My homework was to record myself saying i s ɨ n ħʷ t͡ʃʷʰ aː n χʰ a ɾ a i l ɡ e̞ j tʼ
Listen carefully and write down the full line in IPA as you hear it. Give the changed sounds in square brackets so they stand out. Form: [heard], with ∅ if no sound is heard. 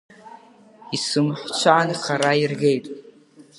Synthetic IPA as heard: i s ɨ [m] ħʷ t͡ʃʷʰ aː n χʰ a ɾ a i [r] ɡ e̞ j tʼ